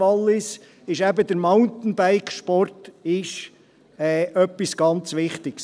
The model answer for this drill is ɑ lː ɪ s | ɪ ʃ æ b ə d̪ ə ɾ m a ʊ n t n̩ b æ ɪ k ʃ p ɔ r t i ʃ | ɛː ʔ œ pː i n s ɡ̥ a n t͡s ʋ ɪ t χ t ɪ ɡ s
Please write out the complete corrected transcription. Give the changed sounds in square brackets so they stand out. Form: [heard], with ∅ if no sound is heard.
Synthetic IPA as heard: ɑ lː ɪ s | ɪ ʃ æ b ə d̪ ə ɾ m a ʊ n t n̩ b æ ɪ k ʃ p ɔ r t [ɪ] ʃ | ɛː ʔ œ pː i [∅] s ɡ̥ [ɑ] n t͡s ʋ ɪ [∅] χ t ɪ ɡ s